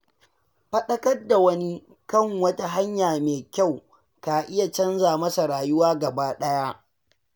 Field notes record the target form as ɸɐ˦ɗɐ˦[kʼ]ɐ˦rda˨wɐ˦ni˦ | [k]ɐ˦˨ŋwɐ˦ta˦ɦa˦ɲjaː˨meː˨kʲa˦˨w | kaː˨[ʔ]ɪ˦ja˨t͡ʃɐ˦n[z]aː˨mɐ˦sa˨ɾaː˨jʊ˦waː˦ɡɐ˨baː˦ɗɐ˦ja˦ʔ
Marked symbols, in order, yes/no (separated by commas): no, yes, yes, yes